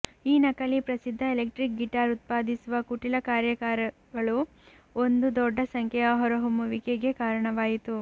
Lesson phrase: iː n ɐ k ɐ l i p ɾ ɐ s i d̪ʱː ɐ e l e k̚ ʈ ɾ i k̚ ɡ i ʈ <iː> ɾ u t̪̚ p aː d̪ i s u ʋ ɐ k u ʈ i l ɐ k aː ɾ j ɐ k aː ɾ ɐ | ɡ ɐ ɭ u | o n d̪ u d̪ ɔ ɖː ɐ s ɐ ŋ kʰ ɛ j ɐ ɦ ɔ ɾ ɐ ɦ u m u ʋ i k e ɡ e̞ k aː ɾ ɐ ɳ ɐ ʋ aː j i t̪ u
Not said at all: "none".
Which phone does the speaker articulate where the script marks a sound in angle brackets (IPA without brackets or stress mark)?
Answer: aː